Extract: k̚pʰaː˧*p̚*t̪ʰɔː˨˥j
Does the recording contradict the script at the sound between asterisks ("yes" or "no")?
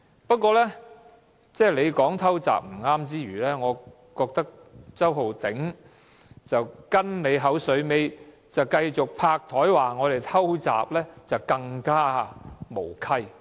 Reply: yes